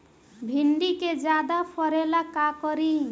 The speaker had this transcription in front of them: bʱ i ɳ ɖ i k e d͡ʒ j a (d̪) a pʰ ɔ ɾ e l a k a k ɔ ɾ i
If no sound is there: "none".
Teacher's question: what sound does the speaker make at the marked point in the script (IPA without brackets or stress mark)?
d̪